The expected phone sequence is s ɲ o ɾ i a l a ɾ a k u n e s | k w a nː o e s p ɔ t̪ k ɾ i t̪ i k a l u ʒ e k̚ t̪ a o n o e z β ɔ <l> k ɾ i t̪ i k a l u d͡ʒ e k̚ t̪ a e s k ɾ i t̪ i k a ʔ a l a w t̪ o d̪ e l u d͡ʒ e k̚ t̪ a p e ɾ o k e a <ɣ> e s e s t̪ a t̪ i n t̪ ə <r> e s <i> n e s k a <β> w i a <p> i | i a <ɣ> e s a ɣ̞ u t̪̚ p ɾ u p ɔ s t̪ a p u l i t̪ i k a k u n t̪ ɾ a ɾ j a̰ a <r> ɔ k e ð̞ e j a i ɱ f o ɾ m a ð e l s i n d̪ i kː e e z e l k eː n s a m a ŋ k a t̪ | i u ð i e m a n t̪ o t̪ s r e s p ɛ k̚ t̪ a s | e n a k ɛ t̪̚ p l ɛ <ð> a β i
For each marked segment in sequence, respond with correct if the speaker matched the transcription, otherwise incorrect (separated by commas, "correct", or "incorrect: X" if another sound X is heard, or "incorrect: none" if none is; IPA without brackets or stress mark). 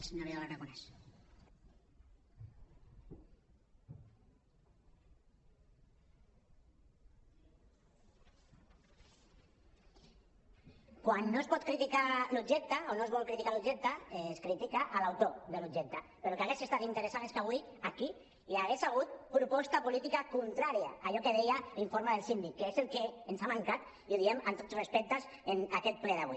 correct, correct, incorrect: ɾ, incorrect: a, correct, incorrect: k, correct, incorrect: ʎ, correct